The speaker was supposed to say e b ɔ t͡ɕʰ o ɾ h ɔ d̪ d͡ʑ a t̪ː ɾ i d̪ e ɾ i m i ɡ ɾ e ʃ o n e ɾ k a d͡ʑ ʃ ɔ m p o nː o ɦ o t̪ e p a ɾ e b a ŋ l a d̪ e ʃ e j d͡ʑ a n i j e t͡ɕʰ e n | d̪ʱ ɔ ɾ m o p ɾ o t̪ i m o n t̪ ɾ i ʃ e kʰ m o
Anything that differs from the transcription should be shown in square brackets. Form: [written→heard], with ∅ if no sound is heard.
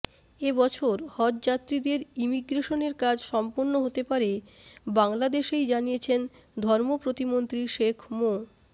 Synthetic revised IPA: e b ɔ t͡ɕʰ o ɾ h ɔ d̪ d͡ʑ a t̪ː ɾ i d̪ e ɾ i m i ɡ ɾ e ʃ o n e ɾ k a d͡ʑ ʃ ɔ m p o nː o ɦ o t̪ e p a ɾ e b a ŋ l a d̪ e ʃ e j d͡ʑ a n i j e t͡ɕʰ e n | d̪ʱ ɔ ɾ m o p ɾ o t̪ i m o n t̪ ɾ i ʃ e kʰ m o